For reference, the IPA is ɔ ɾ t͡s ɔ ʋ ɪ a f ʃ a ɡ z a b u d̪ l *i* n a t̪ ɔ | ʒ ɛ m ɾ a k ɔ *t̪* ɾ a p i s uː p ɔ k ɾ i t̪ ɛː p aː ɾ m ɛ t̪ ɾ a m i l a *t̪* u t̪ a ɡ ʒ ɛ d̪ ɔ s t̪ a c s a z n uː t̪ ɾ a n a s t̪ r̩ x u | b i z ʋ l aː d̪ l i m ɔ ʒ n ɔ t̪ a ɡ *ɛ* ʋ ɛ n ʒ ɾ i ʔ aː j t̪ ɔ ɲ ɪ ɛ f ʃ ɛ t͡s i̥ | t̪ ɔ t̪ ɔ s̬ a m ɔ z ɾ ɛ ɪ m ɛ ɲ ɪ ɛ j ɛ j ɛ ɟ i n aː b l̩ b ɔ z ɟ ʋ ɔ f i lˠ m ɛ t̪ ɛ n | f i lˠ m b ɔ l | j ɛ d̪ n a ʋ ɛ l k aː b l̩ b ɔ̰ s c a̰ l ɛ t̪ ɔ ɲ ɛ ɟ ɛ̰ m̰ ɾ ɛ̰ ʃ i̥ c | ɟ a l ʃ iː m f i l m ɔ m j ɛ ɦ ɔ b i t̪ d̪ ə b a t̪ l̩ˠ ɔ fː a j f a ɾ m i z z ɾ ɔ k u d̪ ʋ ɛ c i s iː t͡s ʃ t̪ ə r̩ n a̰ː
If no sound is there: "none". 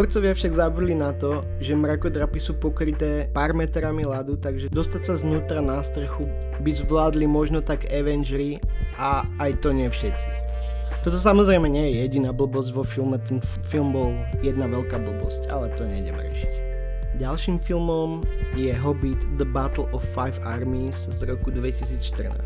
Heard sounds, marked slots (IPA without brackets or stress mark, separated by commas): i, d̪, d̪, ɛ